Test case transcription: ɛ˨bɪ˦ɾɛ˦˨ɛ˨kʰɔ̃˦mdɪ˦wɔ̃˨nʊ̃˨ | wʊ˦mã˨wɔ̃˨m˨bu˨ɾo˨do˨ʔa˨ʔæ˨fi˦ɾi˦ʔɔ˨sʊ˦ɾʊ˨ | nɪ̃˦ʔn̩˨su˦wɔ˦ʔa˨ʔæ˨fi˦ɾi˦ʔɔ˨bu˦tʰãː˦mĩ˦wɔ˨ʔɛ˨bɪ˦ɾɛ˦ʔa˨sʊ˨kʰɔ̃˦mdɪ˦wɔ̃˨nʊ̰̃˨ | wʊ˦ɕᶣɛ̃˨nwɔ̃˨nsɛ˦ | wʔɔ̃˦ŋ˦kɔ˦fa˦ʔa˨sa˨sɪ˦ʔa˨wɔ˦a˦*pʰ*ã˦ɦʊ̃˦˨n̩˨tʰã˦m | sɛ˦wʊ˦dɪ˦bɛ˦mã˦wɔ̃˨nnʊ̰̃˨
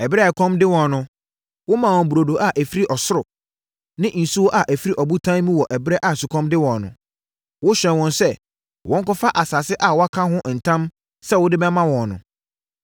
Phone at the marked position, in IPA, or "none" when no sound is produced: kʰ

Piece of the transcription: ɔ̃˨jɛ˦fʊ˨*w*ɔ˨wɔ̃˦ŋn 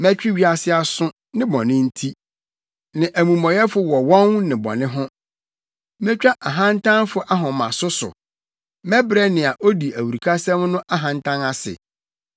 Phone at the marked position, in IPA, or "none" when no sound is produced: w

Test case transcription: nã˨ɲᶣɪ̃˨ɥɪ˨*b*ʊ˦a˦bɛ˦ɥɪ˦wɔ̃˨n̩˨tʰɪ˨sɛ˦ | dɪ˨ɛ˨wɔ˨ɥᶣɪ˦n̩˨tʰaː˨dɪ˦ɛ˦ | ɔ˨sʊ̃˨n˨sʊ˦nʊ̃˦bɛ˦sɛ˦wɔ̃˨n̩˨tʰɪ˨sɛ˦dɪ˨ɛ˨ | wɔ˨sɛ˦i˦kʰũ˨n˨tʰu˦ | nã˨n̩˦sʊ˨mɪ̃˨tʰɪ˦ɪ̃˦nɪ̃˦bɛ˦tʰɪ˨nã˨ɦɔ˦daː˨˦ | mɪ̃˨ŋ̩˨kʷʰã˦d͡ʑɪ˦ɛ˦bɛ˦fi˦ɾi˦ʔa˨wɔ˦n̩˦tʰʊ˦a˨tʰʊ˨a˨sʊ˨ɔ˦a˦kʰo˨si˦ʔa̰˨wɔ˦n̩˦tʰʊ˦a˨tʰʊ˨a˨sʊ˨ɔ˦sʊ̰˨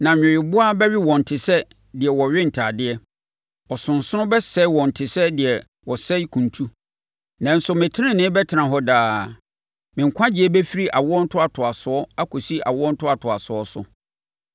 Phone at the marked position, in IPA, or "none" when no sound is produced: b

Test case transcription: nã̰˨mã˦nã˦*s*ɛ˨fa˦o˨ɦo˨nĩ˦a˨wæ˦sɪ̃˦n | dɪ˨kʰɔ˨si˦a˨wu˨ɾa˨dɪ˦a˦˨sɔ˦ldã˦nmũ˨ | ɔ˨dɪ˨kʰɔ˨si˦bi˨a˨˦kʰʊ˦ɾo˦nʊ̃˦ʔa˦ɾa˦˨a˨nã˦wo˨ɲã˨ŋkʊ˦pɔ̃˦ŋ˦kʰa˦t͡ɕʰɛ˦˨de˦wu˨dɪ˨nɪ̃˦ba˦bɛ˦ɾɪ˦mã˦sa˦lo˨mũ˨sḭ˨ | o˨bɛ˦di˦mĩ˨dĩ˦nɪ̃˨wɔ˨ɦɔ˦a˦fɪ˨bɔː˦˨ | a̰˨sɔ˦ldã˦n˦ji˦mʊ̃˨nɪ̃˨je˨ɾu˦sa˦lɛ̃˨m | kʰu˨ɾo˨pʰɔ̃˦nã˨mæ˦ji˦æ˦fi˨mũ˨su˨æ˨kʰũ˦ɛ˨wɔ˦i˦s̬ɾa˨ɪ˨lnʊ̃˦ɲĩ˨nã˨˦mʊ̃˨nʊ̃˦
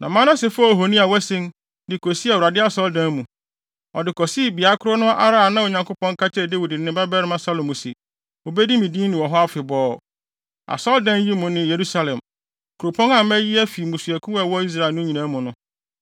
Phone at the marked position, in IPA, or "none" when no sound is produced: s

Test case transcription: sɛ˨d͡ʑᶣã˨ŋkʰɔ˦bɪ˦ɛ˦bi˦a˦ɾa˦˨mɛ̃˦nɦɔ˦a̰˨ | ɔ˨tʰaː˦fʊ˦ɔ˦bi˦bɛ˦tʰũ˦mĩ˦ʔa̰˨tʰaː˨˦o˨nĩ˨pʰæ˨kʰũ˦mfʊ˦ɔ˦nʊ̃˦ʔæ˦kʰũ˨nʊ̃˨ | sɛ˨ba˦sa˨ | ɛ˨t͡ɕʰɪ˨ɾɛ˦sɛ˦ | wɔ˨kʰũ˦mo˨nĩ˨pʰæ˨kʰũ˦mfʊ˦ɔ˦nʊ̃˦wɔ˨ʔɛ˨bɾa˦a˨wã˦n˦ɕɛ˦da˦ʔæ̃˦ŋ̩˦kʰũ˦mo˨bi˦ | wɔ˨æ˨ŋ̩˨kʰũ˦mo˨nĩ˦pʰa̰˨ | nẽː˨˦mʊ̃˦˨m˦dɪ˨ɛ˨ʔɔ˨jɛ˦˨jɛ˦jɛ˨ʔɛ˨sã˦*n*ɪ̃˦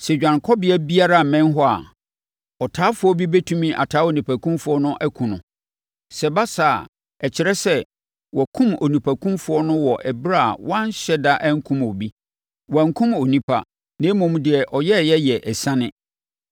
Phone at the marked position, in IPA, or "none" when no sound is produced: n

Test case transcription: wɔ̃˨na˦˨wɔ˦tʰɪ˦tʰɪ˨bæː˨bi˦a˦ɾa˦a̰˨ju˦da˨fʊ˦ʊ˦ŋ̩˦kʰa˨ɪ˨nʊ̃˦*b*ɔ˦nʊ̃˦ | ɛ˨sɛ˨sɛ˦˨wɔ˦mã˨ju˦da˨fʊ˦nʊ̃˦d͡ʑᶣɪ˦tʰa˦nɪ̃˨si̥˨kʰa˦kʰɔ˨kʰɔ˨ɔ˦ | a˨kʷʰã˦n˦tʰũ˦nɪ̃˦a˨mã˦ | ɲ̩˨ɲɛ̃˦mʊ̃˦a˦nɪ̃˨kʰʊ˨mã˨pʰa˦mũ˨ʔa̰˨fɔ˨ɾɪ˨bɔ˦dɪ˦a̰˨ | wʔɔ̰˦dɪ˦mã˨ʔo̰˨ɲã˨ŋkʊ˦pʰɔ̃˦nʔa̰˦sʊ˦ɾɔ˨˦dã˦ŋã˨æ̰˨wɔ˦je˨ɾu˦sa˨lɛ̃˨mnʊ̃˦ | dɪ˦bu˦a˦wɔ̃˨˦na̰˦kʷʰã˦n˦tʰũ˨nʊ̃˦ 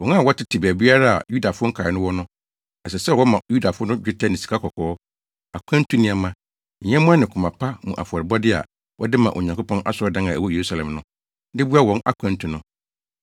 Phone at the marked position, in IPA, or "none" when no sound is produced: w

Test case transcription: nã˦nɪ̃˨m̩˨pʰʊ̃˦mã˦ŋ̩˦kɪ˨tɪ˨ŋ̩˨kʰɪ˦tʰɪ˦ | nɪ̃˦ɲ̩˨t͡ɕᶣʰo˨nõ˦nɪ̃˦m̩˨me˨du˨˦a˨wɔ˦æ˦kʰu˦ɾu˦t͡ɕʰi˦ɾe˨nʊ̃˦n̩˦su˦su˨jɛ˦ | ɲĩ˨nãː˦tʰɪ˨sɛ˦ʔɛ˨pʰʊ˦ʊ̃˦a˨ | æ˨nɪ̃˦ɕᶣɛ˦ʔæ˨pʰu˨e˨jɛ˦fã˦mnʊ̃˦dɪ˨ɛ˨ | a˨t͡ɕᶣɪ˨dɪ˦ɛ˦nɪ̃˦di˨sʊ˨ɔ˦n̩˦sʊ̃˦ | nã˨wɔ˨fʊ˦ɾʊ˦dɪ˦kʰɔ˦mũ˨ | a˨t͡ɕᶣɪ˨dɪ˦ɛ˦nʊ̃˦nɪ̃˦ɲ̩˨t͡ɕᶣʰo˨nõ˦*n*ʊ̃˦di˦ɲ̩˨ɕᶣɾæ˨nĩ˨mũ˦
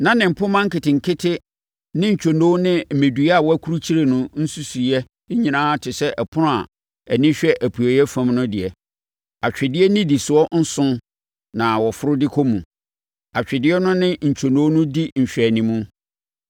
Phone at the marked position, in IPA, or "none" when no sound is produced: n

